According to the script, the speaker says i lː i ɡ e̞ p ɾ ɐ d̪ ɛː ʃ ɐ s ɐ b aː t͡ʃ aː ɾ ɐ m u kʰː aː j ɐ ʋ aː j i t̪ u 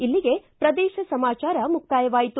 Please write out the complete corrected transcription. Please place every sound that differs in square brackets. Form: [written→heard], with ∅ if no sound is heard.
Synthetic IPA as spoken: i lː i ɡ e̞ p ɾ ɐ d̪ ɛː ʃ ɐ s ɐ [b→m] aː t͡ʃ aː ɾ ɐ m u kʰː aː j ɐ ʋ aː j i t̪ u

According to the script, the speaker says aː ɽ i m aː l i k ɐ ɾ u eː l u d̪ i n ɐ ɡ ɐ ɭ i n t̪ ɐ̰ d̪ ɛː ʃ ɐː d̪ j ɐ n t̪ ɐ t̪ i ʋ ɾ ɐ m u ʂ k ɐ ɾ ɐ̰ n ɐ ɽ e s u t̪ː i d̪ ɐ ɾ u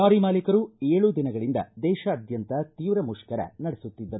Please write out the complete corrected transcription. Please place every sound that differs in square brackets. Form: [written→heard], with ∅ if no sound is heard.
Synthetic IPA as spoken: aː [ɽ→ɾ] i m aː l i k ɐ ɾ u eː [l→ɭ] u d̪ i n ɐ ɡ ɐ ɭ i n [t̪→d̪] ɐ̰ d̪ ɛː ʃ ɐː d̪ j ɐ n t̪ ɐ t̪ [i→iː] ʋ ɾ ɐ m u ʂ k ɐ ɾ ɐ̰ n ɐ ɽ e s u t̪ː i [d̪→d̪ː] ɐ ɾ u

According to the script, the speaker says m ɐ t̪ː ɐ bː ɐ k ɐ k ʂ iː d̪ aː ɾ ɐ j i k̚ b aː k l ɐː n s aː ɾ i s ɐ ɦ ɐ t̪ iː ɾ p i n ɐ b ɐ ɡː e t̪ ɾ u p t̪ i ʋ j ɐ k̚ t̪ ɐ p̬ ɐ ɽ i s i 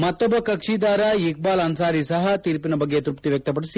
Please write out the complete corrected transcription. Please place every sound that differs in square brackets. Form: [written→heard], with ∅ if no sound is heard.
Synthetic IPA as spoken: m ɐ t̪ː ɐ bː ɐ k ɐ k ʂ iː d̪ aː ɾ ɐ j i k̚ b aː [k→∅] l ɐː n s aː ɾ i s ɐ ɦ ɐ t̪ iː ɾ p i n ɐ b ɐ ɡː e t̪ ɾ u p t̪ i ʋ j ɐ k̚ t̪ ɐ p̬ ɐ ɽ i s i

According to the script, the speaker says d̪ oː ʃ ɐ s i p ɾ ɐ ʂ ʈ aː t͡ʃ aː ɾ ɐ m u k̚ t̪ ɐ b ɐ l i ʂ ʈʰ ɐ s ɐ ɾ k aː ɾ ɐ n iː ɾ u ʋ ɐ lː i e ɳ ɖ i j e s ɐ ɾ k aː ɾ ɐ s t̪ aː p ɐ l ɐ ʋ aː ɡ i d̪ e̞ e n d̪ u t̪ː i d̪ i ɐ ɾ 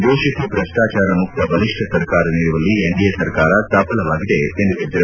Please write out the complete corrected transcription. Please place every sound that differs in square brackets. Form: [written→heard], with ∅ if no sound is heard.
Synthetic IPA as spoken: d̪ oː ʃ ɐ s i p ɾ ɐ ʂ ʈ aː t͡ʃ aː ɾ ɐ m u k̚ t̪ ɐ b ɐ l i ʂ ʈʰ ɐ s ɐ ɾ k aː ɾ ɐ n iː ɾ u ʋ ɐ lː i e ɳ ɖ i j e s ɐ ɾ k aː ɾ ɐ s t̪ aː p ɐ l ɐ ʋ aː ɡ i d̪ e̞ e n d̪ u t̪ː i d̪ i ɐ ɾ

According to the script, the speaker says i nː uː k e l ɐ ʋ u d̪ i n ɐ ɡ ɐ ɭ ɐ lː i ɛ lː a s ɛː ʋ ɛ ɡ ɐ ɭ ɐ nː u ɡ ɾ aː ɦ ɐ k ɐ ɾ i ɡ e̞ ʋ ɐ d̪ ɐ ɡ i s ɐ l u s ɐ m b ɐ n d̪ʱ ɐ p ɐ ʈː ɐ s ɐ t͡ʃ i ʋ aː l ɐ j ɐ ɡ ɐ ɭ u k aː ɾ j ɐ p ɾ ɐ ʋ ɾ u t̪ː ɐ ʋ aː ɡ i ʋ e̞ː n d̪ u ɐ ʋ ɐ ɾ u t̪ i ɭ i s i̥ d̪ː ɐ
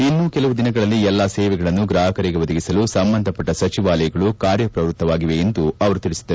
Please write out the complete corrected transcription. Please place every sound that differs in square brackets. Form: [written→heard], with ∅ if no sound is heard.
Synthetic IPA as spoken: i nː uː k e l ɐ ʋ u d̪ i n ɐ ɡ ɐ ɭ ɐ lː i ɛ lː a s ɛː ʋ ɛ ɡ ɐ ɭ ɐ nː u ɡ ɾ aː ɦ ɐ k ɐ ɾ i ɡ e̞ ʋ ɐ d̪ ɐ ɡ i s ɐ l u s ɐ m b ɐ n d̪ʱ ɐ p ɐ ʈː ɐ s ɐ t͡ʃ i ʋ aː l ɐ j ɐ ɡ ɐ ɭ u k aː ɾ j ɐ p ɾ ɐ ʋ ɾ u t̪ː ɐ ʋ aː ɡ i ʋ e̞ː n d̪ u ɐ ʋ ɐ ɾ u t̪ i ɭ i s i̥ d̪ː ɐ

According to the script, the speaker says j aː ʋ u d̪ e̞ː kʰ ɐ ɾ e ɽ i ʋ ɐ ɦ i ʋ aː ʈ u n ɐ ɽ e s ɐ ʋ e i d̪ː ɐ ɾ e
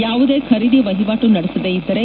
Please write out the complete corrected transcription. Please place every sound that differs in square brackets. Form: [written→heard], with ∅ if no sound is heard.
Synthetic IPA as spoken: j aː ʋ u d̪ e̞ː kʰ ɐ ɾ [e→i] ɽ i ʋ ɐ ɦ i ʋ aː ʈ u n ɐ ɽ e s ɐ ʋ e i d̪ː ɐ ɾ e

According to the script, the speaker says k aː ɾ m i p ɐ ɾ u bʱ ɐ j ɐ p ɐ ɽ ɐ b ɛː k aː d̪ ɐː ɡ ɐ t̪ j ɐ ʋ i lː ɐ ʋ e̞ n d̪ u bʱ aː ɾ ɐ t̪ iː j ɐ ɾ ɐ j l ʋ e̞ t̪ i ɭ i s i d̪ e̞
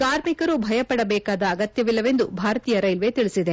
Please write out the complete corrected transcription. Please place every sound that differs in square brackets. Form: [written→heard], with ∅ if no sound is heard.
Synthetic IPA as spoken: k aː ɾ m i [p→k] ɐ ɾ u bʱ ɐ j ɐ p ɐ ɽ ɐ b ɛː k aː d̪ ɐː ɡ ɐ t̪ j ɐ ʋ i lː ɐ ʋ e̞ n d̪ u bʱ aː ɾ ɐ t̪ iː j ɐ ɾ ɐ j l ʋ e̞ t̪ i ɭ i s i d̪ e̞

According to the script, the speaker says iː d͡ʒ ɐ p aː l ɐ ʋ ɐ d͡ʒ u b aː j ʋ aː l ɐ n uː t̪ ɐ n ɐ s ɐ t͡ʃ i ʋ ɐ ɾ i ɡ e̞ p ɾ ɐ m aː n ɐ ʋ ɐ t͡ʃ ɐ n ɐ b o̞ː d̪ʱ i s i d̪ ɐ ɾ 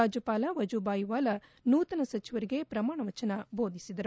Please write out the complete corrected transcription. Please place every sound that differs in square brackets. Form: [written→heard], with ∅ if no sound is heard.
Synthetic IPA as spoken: [iː→aː] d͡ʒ ɐ p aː l ɐ ʋ ɐ d͡ʒ u b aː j ʋ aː l ɐ n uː t̪ ɐ n ɐ s ɐ t͡ʃ i ʋ ɐ ɾ i ɡ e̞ p ɾ ɐ m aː [n→ɳ] ɐ ʋ ɐ t͡ʃ ɐ n ɐ b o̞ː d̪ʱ i s i d̪ ɐ ɾ

